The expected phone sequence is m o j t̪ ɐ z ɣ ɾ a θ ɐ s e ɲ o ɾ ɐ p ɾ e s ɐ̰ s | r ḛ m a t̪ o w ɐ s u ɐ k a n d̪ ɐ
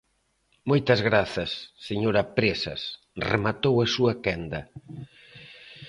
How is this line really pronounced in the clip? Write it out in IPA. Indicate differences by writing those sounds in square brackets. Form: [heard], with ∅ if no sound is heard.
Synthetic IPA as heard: m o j t̪ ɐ z ɣ ɾ a θ ɐ [sː] e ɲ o ɾ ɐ p ɾ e s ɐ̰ s | r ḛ m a t̪ o w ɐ s u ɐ k [ɛ] n d̪ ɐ